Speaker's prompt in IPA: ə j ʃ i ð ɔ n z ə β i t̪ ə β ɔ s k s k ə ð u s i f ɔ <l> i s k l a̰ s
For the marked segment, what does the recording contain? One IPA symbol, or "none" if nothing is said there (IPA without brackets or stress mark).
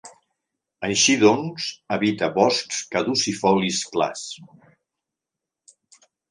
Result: l